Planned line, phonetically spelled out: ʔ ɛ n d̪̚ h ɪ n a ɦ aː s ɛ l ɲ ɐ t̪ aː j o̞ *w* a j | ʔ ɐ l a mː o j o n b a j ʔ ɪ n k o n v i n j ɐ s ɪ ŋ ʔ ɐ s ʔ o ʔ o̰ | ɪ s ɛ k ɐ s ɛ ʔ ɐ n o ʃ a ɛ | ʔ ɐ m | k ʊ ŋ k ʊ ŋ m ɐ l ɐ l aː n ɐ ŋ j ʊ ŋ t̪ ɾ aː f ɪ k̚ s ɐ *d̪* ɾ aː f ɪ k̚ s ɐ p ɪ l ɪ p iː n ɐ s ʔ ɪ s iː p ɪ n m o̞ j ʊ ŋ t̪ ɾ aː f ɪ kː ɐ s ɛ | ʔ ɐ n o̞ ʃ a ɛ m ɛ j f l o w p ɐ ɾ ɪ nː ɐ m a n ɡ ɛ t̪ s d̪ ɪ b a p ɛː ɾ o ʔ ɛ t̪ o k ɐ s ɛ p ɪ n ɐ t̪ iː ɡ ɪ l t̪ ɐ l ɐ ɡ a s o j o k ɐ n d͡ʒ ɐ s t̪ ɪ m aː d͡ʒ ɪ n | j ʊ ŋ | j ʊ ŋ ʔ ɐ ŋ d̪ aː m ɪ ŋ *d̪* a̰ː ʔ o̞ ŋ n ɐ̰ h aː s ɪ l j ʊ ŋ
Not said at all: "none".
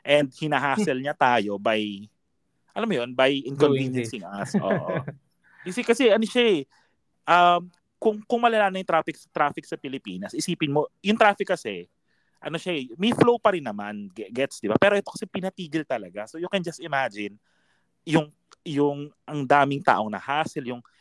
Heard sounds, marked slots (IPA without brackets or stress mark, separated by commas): b, t̪, t̪